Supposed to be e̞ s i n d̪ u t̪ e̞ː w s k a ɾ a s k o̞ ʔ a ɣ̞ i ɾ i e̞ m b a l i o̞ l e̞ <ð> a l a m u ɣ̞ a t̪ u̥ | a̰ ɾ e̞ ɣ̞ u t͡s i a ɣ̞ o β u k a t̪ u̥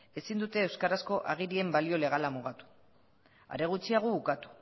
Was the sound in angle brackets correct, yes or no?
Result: no